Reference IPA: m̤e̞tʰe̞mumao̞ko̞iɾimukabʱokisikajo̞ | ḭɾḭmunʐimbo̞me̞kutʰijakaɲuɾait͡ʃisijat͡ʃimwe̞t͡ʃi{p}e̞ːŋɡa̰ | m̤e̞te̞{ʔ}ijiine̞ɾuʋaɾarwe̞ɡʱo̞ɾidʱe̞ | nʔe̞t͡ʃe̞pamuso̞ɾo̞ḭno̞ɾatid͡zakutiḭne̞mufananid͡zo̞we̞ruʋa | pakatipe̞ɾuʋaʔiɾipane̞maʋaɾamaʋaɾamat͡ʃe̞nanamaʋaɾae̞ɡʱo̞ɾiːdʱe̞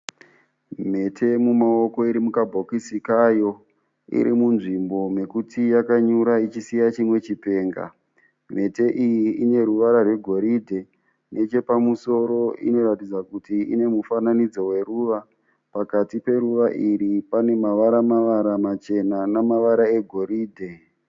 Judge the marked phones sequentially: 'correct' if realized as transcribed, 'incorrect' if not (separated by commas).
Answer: correct, correct